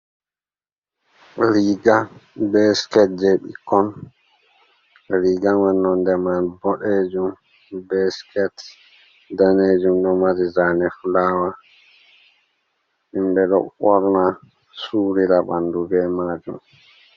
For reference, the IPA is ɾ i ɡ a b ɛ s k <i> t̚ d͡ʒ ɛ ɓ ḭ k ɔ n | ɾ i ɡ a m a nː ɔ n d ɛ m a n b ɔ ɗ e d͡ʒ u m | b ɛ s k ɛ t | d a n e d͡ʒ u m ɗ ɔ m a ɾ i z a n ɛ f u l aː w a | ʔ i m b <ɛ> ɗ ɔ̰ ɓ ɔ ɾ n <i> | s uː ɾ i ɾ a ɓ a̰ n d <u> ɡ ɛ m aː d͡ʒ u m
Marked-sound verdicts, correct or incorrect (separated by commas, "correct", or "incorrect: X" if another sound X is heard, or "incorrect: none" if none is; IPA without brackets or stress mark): incorrect: ɛ, correct, incorrect: a, correct